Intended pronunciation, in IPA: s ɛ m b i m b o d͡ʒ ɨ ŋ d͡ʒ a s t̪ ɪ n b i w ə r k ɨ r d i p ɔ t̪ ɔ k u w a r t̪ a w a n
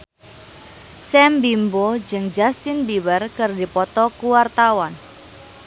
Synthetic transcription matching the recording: s ɛ m b i m b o d͡ʒ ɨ ŋ d͡ʒ a s t̪ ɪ n b i w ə r k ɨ r d i p ɔ t̪ ɔ k u w a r t̪ a w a n